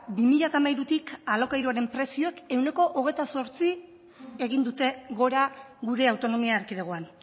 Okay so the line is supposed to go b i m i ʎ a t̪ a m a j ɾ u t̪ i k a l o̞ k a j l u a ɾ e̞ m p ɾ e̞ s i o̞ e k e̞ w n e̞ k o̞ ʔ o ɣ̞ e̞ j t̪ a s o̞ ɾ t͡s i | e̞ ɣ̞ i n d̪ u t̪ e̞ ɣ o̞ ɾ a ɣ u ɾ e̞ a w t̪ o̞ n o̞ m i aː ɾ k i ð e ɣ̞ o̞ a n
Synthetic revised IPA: b i m i ʎ a t̪ a m a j ɾ u t̪ i k a l o̞ k a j ɾ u a ɾ e̞ m p ɾ e̞ s i o̞ e k e̞ w n e̞ k o̞ ʔ o ɣ̞ e̞ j t̪ a s o̞ ɾ t͡s i | e̞ ɣ̞ i n d̪ u t̪ e̞ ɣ o̞ ɾ a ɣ u ɾ e̞ a w t̪ o̞ n o̞ m i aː ɾ k i ð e ɣ̞ o̞ a n